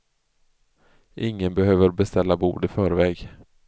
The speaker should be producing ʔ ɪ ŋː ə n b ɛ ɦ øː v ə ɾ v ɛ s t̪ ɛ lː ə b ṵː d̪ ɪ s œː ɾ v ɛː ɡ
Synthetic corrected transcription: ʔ ɪ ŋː ə n b ɛ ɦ øː v ə ɾ b ɛ s t̪ ɛ lː a b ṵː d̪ ɪ f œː ɾ v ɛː ɡ